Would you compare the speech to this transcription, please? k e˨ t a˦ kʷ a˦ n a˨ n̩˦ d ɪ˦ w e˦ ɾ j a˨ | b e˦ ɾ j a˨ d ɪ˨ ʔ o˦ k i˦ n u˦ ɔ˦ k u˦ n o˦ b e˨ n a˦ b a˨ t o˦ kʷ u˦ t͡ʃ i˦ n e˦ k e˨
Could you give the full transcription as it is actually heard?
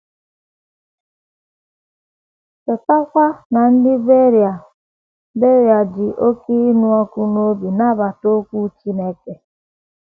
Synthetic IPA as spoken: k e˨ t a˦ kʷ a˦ n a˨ n̩˦ d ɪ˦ b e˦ ɾ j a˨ | b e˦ ɾ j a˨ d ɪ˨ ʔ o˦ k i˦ n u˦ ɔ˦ k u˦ n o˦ b i˨ n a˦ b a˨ t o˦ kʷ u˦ t͡ʃ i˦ n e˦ k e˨